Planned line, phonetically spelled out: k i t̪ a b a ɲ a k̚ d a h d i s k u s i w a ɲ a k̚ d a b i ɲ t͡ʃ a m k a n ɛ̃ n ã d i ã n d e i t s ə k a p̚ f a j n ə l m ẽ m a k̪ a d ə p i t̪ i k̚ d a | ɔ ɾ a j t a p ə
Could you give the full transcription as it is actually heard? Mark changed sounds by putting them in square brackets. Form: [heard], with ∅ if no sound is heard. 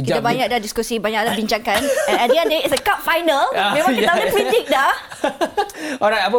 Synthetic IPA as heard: k i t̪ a b a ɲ a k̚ d a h d i s k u s i [b] a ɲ a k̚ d a b i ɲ t͡ʃ a [ŋ] k a n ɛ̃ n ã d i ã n d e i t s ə k a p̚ f a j n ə l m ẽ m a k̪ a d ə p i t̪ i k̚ d a | ɔ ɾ a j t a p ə